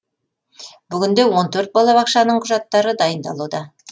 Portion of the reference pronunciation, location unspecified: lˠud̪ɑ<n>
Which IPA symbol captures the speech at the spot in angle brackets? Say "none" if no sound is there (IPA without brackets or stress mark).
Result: none